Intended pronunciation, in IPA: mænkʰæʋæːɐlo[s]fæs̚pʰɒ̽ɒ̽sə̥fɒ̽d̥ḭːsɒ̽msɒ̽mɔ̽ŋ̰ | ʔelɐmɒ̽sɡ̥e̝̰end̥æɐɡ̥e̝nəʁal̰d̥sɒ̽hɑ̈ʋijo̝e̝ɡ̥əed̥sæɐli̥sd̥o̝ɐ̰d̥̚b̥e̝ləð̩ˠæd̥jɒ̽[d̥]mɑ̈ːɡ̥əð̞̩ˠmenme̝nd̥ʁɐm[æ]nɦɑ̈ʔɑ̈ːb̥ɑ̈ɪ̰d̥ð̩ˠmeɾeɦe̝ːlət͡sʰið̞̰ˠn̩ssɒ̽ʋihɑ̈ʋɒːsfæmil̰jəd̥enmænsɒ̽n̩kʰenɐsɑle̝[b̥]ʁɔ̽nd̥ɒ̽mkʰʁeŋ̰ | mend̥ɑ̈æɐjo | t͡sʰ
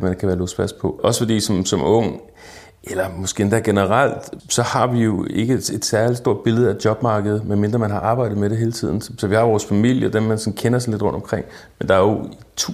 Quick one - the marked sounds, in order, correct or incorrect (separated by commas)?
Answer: correct, incorrect, correct, incorrect